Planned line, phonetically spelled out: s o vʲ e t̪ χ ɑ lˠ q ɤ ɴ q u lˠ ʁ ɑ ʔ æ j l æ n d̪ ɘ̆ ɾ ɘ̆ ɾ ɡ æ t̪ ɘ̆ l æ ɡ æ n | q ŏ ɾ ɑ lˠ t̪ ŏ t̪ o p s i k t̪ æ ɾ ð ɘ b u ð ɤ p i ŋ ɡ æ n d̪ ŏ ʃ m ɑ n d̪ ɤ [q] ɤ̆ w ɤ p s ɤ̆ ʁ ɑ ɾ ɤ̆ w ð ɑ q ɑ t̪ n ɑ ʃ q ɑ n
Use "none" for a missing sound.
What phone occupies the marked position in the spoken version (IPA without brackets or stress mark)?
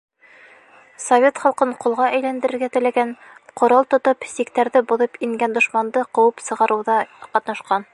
q